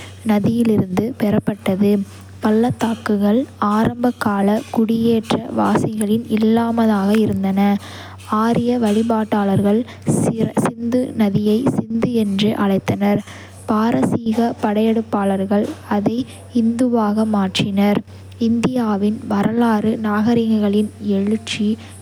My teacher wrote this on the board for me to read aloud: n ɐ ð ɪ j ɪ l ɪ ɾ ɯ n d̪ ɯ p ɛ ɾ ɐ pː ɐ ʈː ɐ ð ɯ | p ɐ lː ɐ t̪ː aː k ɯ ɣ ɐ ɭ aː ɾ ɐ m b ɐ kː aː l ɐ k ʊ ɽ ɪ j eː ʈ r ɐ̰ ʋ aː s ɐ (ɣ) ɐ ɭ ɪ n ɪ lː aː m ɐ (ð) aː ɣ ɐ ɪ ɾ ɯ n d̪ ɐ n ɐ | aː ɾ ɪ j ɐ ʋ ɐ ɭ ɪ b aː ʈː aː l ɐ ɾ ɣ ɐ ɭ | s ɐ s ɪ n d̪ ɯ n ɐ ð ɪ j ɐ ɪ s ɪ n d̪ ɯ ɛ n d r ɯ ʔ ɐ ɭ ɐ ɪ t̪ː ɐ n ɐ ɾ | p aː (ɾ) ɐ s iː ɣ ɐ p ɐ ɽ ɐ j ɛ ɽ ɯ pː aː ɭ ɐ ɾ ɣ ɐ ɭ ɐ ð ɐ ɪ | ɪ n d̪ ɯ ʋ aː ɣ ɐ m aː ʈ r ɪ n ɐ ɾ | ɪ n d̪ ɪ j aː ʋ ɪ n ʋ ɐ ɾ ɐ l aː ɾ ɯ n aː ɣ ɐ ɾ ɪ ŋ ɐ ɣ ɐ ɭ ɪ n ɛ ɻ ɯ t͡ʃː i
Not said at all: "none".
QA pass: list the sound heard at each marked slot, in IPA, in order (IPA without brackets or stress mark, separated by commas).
ɣ, ð, ɾ